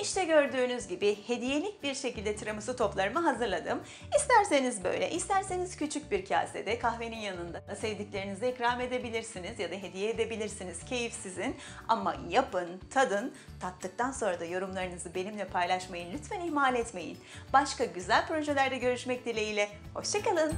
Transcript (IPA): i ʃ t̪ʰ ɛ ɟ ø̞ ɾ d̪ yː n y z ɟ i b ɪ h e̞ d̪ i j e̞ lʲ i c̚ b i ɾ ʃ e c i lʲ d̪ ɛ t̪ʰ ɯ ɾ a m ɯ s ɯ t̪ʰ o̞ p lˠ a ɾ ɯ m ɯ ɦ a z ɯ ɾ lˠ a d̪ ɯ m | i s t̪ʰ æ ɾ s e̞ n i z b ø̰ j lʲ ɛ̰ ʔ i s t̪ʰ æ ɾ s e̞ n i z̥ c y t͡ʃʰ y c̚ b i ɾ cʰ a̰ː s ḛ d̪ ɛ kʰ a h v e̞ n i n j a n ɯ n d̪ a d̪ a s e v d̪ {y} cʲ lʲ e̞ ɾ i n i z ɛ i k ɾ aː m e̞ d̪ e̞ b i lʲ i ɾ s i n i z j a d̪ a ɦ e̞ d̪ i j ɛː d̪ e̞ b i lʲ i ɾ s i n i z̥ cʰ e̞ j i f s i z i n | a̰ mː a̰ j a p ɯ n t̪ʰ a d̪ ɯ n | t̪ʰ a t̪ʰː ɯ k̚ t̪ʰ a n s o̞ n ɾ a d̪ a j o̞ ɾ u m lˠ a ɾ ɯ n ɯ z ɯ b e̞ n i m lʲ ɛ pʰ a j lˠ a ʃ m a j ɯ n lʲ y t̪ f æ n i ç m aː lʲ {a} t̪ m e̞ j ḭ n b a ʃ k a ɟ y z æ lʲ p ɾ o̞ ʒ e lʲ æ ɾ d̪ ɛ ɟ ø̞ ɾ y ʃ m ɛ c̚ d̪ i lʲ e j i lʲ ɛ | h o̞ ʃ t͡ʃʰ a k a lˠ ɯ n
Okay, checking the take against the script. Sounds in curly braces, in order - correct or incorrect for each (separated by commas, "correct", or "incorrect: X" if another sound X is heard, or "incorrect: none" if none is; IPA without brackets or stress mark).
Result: incorrect: i, incorrect: ɛ